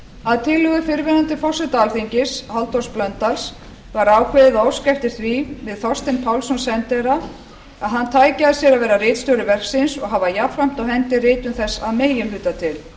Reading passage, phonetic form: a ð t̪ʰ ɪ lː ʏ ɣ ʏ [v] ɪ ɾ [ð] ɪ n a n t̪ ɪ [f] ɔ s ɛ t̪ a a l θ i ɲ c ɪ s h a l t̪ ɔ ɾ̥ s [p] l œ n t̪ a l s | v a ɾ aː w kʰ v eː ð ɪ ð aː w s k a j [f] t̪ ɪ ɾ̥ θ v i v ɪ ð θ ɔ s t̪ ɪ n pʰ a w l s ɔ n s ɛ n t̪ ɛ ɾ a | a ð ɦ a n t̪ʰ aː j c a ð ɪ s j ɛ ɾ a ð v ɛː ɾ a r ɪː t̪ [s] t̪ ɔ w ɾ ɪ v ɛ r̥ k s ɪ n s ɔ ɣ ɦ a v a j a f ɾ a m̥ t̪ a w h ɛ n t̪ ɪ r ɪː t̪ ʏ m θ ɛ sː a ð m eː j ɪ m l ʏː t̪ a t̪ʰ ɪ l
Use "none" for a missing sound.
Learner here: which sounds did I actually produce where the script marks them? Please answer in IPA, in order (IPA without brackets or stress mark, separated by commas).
f, v, f, p, f, s